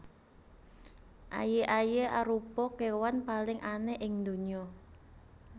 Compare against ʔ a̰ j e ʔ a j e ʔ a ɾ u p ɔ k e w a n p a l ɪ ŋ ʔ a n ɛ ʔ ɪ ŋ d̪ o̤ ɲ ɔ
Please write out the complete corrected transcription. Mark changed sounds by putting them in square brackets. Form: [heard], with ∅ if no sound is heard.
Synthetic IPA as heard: ʔ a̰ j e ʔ a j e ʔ a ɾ u p ɔ k e w a n p a l ɪ ŋ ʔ a n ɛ ʔ ɪ ŋ d̪ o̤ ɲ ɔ